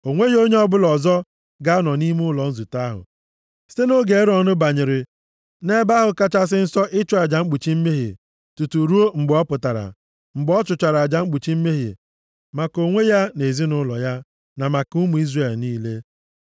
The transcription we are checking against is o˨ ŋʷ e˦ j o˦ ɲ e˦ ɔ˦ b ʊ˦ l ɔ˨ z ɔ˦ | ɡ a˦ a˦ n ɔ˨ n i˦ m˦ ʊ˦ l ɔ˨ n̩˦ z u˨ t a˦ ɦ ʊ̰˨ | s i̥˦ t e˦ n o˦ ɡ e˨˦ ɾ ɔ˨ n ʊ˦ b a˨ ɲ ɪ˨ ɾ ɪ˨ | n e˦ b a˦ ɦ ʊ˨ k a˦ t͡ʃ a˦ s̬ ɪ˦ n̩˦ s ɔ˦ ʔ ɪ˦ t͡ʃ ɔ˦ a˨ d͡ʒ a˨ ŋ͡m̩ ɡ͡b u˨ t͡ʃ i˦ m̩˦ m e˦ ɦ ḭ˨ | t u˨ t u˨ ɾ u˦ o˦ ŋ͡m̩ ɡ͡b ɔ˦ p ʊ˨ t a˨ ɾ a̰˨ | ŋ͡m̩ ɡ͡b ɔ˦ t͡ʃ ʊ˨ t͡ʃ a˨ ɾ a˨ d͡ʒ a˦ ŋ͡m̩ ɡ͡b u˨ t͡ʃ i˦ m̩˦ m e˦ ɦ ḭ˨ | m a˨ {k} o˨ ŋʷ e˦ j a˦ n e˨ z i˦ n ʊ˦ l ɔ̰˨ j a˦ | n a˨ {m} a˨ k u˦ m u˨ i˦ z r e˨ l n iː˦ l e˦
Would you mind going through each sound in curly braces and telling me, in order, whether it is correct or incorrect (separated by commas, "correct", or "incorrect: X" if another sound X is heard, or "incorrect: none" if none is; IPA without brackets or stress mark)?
correct, correct